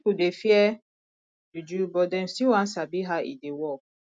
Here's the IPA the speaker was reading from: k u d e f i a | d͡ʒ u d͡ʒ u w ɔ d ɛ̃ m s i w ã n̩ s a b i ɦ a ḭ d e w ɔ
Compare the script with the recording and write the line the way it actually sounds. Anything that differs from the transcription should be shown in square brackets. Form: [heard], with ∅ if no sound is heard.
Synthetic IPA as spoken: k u d e f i [ɛ] | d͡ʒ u d͡ʒ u [b] ɔ d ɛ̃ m s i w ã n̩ s a b i ɦ a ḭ d e w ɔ

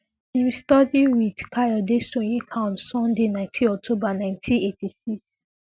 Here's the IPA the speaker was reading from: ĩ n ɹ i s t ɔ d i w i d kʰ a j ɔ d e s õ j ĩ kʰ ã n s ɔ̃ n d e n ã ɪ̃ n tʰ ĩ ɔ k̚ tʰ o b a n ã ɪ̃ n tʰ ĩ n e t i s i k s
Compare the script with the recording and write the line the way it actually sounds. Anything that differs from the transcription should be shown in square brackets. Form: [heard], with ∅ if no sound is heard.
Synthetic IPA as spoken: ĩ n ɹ i s t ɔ d i w i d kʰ a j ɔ d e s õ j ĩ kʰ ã n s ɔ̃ n d e n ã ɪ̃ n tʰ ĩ ɔ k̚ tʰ o b a n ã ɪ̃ n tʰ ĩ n e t i s i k s

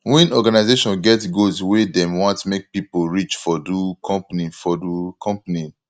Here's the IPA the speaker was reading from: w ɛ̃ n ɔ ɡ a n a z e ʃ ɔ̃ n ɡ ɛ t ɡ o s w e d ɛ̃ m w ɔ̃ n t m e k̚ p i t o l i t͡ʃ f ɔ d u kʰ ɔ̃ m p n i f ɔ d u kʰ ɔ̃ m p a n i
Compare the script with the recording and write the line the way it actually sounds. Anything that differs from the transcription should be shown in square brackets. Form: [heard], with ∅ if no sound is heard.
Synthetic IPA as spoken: w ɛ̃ n ɔ ɡ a n a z e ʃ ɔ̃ n ɡ ɛ t ɡ o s w e d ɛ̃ m w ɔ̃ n t m e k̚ p i [p] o [ɹ] i t͡ʃ f ɔ d u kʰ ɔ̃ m p n i f ɔ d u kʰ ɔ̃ m p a n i

